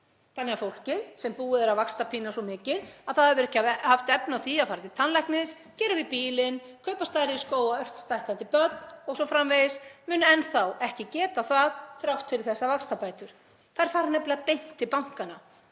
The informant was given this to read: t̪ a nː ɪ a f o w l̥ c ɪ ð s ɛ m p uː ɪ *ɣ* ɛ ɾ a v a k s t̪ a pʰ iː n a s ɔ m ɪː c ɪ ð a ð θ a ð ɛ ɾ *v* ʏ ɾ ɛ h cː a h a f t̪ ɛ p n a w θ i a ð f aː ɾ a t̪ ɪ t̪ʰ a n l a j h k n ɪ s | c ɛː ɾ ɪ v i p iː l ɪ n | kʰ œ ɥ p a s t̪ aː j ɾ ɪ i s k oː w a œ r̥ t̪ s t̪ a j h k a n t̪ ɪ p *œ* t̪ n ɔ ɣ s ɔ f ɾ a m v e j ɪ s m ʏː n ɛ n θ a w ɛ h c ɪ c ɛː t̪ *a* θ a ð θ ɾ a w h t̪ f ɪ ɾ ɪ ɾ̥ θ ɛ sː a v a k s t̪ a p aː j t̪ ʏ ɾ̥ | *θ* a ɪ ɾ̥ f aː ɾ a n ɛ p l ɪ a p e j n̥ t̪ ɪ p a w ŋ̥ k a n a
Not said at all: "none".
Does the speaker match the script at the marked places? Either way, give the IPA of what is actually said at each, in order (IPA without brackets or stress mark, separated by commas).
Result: ð, v, œ, a, θ